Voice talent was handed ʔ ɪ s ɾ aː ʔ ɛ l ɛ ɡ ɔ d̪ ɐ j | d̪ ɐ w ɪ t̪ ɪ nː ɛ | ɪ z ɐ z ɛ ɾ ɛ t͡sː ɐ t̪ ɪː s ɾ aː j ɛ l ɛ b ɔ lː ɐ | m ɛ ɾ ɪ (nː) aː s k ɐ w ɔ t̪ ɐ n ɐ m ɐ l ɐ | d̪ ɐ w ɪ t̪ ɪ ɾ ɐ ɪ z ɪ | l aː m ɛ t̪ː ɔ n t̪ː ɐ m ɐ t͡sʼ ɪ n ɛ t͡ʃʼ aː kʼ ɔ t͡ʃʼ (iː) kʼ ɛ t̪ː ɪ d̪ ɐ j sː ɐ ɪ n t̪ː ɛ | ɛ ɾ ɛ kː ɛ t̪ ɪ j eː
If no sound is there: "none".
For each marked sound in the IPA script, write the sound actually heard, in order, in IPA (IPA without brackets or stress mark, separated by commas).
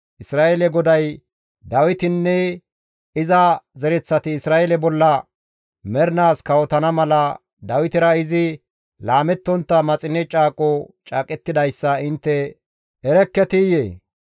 n, aː